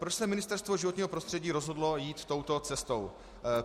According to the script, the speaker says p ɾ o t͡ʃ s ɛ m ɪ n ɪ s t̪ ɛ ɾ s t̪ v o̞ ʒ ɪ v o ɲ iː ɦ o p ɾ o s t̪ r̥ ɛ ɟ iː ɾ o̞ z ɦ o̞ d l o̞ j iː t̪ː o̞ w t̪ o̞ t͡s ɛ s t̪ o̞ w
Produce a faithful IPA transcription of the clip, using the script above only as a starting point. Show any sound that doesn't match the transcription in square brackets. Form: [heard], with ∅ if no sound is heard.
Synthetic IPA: p ɾ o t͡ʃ s ɛ m ɪ n ɪ s t̪ ɛ ɾ s t̪ v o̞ ʒ ɪ v o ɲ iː ɦ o p ɾ o s t̪ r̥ ɛ ɟ iː ɾ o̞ z ɦ o̞ d l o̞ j iː t̪ː o̞ w t̪ o̞ t͡s ɛ s t̪ o̞ w